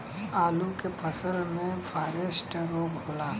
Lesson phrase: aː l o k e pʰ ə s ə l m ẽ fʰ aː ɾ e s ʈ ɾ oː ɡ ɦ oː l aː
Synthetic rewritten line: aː l u k e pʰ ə s ə l m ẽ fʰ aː ɾ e s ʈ ɾ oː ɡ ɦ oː l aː